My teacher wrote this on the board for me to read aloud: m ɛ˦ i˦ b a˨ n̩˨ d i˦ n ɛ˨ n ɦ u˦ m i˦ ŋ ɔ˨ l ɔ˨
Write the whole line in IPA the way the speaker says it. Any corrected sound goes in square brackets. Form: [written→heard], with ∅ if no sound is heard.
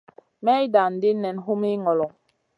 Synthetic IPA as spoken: m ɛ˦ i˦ [b→d] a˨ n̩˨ d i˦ n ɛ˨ n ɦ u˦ m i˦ ŋ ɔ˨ l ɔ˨